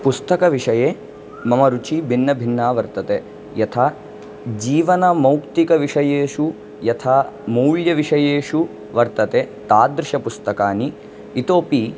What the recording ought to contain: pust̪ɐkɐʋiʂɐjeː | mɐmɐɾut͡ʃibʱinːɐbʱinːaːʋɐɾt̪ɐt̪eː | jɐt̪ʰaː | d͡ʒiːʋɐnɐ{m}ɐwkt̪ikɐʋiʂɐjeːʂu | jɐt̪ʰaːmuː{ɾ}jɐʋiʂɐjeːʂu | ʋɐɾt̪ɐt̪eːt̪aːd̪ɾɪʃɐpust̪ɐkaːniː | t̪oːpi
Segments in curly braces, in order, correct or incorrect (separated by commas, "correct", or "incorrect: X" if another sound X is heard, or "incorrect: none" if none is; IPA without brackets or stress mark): correct, incorrect: ɭ